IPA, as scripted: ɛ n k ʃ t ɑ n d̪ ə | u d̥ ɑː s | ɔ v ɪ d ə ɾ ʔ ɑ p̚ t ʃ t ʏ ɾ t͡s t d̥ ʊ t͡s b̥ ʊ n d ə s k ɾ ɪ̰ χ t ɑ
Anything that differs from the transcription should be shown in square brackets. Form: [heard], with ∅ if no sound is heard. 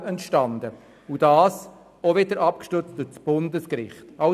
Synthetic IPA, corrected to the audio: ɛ n [t] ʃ t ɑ n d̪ ə | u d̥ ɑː s | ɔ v ɪ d ə ɾ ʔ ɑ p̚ [k] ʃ t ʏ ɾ t͡s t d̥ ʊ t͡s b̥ ʊ n d ə s k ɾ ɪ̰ χ t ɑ